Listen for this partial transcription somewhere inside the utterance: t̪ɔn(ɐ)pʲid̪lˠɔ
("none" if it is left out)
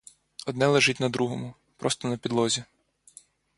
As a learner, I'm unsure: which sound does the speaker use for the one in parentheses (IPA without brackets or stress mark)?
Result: ɐ